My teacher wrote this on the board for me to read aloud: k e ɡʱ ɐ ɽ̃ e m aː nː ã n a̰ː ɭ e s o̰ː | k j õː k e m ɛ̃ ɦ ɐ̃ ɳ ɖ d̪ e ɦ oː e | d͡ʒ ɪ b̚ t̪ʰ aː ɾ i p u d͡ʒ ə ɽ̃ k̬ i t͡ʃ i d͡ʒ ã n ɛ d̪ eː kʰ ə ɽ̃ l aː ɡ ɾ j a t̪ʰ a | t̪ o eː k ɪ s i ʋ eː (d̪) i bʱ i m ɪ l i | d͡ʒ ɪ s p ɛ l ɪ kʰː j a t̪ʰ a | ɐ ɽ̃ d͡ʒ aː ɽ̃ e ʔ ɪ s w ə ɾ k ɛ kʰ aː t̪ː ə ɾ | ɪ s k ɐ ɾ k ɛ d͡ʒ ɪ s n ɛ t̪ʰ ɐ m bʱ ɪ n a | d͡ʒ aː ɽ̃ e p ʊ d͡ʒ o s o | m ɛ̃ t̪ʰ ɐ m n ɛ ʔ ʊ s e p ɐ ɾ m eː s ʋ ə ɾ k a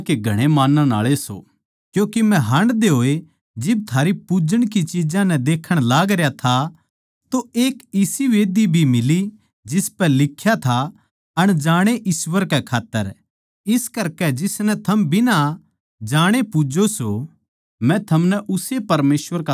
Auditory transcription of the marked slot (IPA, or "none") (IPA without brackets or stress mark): d̪